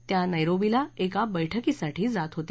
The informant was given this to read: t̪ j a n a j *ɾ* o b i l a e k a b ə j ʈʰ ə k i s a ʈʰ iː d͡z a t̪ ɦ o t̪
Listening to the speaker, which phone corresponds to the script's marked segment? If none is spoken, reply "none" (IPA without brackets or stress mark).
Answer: ɾ